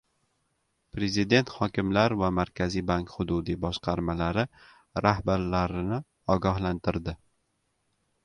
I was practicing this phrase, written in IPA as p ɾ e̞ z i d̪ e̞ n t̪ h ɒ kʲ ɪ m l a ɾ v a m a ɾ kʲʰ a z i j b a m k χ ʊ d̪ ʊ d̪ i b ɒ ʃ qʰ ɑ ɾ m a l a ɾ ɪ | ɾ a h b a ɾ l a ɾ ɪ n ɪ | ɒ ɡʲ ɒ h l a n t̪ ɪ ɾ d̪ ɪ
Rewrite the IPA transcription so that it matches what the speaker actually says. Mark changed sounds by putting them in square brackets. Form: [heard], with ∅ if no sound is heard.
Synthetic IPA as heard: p ɾ e̞ z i d̪ e̞ n t̪ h ɒ kʲ ɪ m l a ɾ v a m a ɾ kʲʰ a z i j b a [ŋ] k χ ʊ d̪ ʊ d̪ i b ɒ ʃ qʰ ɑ ɾ m a l a ɾ ɪ | ɾ a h b a ɾ l a ɾ ɪ n ɪ | ɒ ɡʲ ɒ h l a n t̪ ɪ ɾ d̪ ɪ

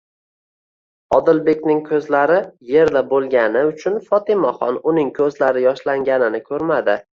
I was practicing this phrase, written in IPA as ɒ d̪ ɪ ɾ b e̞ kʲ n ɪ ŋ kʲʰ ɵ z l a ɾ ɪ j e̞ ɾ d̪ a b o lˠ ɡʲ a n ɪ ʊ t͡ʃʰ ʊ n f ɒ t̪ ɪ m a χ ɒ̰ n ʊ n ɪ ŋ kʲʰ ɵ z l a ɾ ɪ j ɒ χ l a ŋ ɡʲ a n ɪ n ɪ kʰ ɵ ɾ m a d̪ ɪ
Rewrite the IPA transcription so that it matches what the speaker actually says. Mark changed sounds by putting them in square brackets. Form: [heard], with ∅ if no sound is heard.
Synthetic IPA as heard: ɒ d̪ ɪ [l] b e̞ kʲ n ɪ ŋ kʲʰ ɵ z l a ɾ ɪ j e̞ ɾ d̪ a b o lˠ ɡʲ a n ɪ ʊ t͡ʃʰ ʊ n f ɒ t̪ ɪ m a χ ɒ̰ n ʊ n ɪ ŋ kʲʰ ɵ z l a ɾ ɪ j ɒ [ʃ] l a ŋ ɡʲ a n ɪ n ɪ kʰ ɵ ɾ m a d̪ ɪ

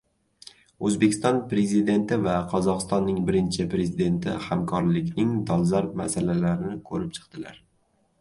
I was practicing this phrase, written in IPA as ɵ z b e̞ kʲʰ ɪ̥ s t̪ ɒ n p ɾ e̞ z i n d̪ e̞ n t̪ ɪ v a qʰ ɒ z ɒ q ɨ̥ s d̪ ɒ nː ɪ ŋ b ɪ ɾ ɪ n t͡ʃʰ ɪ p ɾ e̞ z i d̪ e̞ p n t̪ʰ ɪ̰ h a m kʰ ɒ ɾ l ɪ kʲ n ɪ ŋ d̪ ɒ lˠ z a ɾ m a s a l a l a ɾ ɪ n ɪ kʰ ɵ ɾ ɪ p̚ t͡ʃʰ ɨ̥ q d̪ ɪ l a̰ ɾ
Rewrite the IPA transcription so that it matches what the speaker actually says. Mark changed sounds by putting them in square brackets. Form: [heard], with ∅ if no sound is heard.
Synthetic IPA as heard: ɵ z b e̞ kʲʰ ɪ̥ s t̪ ɒ n p ɾ e̞ z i [∅] d̪ e̞ n t̪ ɪ v a qʰ ɒ z ɒ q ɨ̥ s [t̪] ɒ nː ɪ ŋ b ɪ ɾ ɪ n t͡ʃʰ ɪ p ɾ e̞ z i d̪ e̞ [∅] n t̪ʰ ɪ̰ h a m kʰ ɒ ɾ l ɪ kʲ n ɪ ŋ d̪ ɒ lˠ z a ɾ m a s a l a l a ɾ ɪ n ɪ kʰ ɵ ɾ ɪ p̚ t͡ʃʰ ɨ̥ q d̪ ɪ l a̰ ɾ

